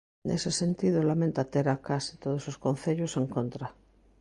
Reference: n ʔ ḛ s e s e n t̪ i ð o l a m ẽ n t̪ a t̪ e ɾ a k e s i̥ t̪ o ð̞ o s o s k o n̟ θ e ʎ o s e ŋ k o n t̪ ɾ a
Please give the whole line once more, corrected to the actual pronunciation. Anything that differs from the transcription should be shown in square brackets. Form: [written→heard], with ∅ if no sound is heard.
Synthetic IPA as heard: n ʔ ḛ s e s e n t̪ i ð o l a m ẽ n t̪ a t̪ e ɾ a k [e→a] s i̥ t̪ o ð̞ o s o s k o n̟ θ e ʎ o s e ŋ k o n t̪ ɾ a